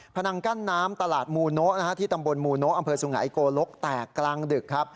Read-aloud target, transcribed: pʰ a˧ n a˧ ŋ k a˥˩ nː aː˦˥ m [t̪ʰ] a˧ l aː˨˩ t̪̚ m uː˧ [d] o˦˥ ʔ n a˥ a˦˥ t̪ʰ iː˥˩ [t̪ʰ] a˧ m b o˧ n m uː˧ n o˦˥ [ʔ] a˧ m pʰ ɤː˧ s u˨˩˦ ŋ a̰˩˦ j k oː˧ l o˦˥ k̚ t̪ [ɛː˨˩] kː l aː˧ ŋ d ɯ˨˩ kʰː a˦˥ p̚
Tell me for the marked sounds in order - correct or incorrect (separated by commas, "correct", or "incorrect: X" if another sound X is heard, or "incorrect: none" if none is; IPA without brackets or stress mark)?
incorrect: t̪, incorrect: n, incorrect: t̪, correct, correct